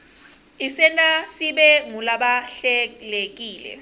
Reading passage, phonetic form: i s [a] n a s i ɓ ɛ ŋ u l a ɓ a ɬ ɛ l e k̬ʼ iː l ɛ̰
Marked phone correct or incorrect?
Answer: incorrect